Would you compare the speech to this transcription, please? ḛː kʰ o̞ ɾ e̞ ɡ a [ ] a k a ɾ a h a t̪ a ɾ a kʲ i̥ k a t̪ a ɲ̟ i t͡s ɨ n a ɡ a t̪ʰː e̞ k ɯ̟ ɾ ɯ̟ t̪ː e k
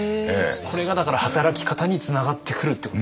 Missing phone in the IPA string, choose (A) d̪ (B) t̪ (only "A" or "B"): A